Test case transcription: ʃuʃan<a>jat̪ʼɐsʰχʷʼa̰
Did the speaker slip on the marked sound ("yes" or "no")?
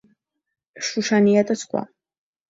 yes